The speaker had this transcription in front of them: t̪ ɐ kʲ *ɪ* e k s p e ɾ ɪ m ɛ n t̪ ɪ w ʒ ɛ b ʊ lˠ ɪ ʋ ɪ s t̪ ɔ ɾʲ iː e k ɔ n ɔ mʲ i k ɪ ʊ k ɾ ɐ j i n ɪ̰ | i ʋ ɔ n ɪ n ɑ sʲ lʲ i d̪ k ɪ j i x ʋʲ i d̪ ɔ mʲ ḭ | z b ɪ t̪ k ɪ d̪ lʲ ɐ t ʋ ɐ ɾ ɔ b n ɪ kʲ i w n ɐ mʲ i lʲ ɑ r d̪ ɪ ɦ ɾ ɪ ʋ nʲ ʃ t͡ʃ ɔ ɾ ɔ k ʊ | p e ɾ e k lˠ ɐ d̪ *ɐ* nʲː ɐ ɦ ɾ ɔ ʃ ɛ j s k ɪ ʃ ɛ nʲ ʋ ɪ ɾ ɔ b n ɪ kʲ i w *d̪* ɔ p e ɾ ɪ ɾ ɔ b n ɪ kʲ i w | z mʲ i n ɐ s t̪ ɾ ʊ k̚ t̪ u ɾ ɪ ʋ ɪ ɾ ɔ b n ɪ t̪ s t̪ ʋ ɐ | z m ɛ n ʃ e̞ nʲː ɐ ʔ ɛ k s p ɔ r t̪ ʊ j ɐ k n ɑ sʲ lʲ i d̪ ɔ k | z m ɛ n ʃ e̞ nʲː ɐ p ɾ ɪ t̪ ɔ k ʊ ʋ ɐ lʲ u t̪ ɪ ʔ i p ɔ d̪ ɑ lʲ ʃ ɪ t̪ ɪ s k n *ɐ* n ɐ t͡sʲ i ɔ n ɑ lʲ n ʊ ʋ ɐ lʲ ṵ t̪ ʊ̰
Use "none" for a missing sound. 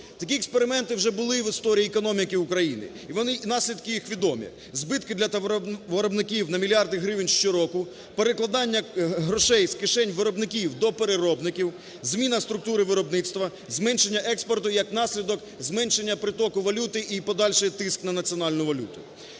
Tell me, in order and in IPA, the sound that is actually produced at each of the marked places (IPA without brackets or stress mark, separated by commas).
i, ɑ, d̪, ɐ